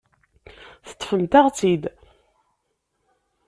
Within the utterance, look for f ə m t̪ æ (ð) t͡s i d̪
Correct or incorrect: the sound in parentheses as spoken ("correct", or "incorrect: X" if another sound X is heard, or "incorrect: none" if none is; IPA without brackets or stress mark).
incorrect: ʁ